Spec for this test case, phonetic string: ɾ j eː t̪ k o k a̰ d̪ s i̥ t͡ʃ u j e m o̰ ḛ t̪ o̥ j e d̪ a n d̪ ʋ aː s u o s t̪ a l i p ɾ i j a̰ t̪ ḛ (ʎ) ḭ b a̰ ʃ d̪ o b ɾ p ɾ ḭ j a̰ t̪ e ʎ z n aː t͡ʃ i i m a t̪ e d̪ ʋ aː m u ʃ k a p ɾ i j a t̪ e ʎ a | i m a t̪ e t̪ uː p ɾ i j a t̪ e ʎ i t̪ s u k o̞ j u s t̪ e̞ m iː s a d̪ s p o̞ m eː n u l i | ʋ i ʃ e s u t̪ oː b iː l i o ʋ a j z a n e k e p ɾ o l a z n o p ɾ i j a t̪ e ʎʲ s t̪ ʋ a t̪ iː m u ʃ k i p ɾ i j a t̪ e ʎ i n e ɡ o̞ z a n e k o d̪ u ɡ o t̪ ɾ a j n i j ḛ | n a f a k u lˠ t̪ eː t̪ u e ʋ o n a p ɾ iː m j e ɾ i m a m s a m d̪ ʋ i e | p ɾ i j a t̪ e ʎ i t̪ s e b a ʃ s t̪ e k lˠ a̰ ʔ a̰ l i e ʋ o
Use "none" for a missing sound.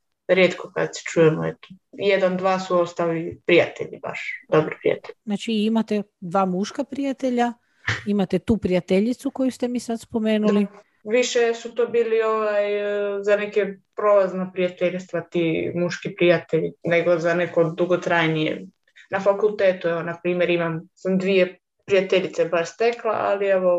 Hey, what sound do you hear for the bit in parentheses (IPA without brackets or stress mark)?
ʎ